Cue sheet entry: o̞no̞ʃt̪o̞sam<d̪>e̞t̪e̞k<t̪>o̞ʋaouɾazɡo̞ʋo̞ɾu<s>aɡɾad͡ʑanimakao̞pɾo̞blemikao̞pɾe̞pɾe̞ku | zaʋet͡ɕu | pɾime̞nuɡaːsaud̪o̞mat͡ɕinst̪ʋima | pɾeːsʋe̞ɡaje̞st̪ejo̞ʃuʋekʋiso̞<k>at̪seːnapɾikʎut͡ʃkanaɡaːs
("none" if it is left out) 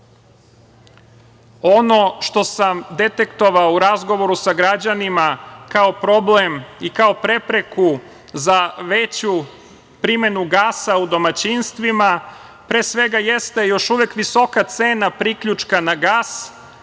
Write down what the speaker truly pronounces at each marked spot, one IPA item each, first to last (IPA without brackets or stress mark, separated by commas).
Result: d̪, t̪, s, k